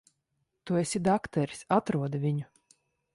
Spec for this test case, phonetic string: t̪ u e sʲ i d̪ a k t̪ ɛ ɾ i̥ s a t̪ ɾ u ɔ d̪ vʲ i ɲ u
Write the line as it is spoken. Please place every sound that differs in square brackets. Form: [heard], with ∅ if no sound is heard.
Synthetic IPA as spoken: t̪ u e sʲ i d̪ a k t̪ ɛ ɾ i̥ s a t̪ ɾ u ɔ d̪ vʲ i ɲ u